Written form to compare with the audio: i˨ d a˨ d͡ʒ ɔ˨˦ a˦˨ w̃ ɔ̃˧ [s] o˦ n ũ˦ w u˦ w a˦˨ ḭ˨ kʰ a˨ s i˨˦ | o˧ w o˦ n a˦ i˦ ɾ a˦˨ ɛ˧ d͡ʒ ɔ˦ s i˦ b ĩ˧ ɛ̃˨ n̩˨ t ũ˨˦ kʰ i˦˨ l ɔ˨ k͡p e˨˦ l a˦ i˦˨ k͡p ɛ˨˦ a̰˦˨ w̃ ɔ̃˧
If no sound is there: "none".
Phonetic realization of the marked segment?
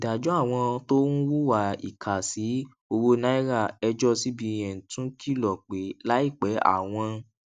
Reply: t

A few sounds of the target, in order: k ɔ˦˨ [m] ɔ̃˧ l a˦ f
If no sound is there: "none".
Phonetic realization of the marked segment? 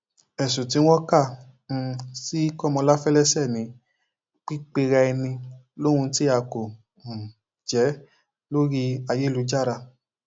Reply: m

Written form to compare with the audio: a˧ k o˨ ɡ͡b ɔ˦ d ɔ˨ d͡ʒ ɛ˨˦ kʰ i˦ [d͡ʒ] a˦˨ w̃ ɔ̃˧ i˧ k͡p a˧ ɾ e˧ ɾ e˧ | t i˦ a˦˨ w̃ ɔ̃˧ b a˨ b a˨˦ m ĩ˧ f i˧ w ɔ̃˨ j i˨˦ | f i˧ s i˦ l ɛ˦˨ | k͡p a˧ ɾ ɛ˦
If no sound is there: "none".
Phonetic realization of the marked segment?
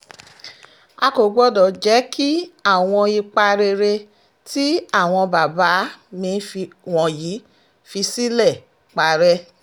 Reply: none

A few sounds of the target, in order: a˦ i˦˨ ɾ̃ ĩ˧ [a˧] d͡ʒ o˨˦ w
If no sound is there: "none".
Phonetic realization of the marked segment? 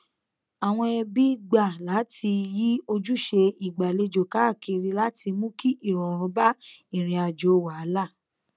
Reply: a˧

